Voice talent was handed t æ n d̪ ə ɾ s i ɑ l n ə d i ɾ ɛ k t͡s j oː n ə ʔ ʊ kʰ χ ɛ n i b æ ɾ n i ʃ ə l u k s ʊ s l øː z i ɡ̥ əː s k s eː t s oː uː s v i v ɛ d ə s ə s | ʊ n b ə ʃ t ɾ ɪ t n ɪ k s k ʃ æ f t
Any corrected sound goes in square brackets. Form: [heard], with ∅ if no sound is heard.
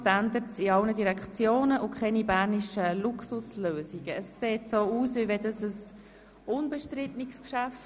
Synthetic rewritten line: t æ n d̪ ə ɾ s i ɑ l n ə d i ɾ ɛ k t͡s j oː n ə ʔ ʊ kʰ χ ɛ n i b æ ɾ n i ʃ ə l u k s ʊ s l øː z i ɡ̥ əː s k s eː t s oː uː s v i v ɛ d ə s ə s | ʊ n b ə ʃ t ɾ ɪ t n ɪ k s k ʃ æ f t